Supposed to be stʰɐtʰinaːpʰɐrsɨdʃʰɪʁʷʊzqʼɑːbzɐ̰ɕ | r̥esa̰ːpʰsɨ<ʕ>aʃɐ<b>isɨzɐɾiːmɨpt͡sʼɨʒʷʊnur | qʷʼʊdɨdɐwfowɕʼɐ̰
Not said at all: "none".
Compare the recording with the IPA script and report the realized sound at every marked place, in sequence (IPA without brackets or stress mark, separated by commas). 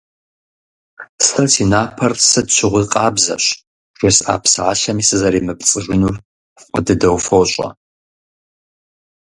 ʕ, m